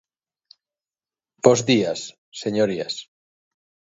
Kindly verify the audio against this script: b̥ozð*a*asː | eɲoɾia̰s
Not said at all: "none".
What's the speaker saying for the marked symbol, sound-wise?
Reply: i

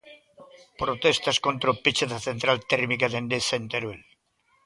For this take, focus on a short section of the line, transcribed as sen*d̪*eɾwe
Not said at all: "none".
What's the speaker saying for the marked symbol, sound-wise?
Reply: t̪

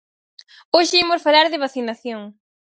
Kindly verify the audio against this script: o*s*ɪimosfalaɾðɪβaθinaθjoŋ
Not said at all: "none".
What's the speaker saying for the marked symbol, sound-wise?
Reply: ʃ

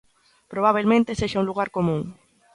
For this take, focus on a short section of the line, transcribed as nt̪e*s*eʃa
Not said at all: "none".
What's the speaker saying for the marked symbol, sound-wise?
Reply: s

